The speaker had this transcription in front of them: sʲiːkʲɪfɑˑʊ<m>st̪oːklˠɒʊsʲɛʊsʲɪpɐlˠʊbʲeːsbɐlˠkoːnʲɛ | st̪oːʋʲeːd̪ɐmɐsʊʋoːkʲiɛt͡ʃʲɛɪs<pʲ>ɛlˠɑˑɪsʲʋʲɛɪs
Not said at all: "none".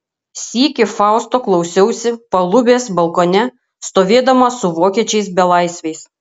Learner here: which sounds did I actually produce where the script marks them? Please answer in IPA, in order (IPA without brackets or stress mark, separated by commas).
none, bʲ